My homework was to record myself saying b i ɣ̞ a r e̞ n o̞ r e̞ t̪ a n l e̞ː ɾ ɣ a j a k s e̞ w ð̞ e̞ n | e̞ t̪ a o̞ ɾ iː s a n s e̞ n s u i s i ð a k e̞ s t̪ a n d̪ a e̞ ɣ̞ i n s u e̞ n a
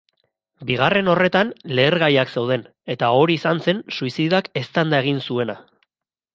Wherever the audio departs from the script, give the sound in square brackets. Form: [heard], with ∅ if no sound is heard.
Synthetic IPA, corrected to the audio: b i ɣ̞ a r e̞ n o̞ r e̞ t̪ a n l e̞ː ɾ ɣ a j a k s e̞ w ð̞ e̞ n | e̞ t̪ a o̞ ɾ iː s a n s e̞ n s u i s i ð a k e̞ s t̪ a n d̪ a e̞ ɣ̞ i n s u e̞ n a